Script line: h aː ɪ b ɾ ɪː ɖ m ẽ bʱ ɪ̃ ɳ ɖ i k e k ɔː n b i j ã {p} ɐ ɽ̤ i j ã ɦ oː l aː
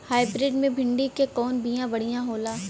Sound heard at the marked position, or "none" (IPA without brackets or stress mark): b